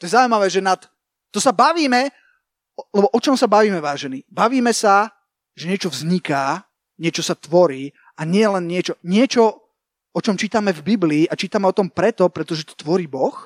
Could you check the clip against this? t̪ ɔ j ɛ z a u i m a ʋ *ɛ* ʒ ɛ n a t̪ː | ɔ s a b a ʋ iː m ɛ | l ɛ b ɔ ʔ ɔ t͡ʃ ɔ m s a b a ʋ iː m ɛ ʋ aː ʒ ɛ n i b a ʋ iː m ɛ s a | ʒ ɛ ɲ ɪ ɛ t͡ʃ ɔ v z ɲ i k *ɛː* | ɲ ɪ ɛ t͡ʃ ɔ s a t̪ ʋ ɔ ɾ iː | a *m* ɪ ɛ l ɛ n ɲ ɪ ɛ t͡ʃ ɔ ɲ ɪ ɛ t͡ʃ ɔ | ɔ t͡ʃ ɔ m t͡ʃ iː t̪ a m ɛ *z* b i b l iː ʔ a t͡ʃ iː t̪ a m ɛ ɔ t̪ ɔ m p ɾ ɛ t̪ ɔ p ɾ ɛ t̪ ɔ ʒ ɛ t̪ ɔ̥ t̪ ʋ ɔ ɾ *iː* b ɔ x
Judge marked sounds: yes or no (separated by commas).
no, no, no, no, yes